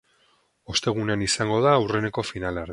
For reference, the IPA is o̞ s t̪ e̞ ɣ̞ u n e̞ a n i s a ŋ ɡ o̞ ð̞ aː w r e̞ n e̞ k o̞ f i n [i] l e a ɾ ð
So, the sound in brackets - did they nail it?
no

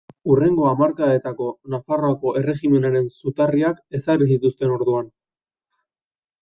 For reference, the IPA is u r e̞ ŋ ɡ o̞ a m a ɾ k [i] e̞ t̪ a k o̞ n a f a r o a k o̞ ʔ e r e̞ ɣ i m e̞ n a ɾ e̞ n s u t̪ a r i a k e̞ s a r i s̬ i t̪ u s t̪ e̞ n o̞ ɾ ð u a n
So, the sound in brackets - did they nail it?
no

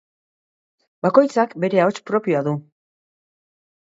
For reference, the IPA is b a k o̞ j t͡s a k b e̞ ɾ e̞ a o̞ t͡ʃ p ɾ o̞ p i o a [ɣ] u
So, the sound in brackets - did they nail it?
no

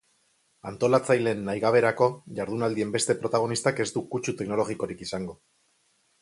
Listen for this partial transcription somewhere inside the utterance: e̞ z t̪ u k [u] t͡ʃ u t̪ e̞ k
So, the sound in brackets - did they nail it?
yes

